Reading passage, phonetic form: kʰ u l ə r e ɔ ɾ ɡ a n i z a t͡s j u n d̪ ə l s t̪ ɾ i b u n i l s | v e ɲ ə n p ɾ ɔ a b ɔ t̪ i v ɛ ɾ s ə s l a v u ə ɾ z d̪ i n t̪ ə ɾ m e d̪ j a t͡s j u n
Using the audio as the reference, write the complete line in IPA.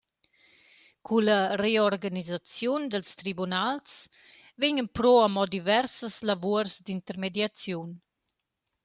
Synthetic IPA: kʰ u l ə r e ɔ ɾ ɡ a n i z a t͡s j u n d̪ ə l s t̪ ɾ i b u n a l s | v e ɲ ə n p ɾ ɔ a m ɔ d̪ i v ɛ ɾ s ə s l a v u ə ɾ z d̪ i n t̪ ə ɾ m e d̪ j a t͡s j u n